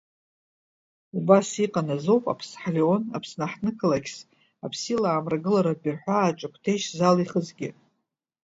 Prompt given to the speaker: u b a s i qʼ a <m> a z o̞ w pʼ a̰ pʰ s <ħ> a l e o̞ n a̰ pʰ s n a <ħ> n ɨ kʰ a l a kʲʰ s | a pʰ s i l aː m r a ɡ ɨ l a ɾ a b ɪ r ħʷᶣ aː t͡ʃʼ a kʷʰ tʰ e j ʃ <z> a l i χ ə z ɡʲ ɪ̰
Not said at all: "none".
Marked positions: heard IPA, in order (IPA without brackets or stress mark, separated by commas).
n, ħ, ħ, z